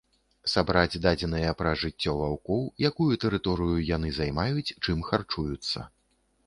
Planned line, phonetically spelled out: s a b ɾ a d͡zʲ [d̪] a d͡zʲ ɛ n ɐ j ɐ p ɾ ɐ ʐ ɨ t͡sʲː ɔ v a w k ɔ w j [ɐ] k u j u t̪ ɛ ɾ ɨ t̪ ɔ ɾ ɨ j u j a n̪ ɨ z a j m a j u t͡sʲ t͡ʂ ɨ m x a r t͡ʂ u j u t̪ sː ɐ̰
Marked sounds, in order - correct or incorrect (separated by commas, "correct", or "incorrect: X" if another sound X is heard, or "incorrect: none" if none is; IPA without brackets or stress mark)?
correct, incorrect: a